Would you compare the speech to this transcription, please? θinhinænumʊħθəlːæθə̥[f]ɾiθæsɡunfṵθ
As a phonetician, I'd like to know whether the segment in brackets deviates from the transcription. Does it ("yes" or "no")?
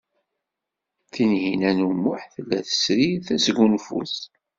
yes